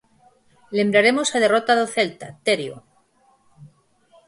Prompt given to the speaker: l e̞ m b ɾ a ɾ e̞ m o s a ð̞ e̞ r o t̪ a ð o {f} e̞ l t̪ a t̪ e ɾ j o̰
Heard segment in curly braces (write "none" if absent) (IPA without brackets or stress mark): θ